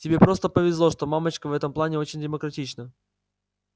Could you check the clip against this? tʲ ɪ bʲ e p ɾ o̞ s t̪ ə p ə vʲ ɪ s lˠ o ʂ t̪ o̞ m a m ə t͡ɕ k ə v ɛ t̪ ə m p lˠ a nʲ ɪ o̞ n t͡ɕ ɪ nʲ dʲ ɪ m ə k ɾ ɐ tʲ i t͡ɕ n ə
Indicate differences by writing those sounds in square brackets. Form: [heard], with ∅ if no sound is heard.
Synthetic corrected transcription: tʲ ɪ bʲ e p ɾ o̞ s t̪ ə p ə vʲ ɪ [z] lˠ o ʂ t̪ o̞ m a m ə t͡ɕ k ə v ɛ t̪ ə m p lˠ a nʲ ɪ o̞ [∅] t͡ɕ ɪ nʲ dʲ ɪ m ə k ɾ ɐ tʲ i t͡ɕ n ə